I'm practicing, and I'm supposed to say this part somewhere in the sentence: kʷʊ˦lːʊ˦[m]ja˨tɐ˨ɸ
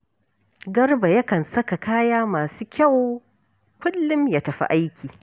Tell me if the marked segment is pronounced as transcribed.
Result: yes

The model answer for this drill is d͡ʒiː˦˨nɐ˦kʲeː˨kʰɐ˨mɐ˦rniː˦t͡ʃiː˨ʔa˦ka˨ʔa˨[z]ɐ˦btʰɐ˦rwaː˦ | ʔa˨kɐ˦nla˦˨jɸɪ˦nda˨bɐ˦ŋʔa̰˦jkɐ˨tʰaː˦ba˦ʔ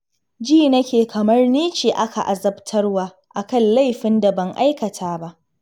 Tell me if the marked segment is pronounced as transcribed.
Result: yes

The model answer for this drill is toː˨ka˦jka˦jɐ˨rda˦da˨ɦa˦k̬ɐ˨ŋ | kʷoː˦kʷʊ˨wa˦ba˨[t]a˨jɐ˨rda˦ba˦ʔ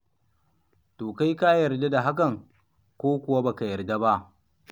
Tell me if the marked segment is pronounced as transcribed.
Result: no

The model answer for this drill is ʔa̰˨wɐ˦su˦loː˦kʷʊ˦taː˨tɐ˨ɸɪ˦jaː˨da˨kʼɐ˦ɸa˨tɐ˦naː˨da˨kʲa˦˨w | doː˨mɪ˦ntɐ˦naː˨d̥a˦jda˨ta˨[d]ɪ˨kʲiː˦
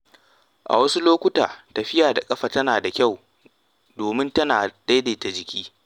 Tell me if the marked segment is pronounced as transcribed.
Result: no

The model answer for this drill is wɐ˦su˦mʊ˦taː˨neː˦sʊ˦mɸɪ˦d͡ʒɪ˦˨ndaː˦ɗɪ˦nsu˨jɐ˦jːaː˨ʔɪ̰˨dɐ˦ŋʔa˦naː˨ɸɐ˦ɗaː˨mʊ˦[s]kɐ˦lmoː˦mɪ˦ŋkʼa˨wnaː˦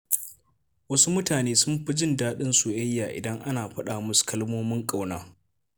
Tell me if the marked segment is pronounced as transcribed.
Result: yes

